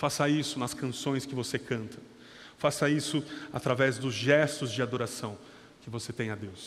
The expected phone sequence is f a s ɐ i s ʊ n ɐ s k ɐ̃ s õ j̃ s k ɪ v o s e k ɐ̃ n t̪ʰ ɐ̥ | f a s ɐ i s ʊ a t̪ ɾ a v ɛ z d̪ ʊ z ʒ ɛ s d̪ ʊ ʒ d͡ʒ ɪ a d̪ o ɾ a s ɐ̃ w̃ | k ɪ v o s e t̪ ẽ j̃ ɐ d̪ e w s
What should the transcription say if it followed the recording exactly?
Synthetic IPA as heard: f a s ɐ i s ʊ n ɐ s k ɐ̃ s õ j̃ s k ɪ v o s e k ɐ̃ n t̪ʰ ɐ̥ | f a s ɐ i s ʊ a t̪ ɾ a v ɛ z d̪ ʊ z ʒ ɛ s t̪ ʊ z d͡ʒ ɪ a d̪ o ɾ a s ɐ̃ w̃ | k ɪ v o s e t̪ ẽ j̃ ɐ d̪ e w s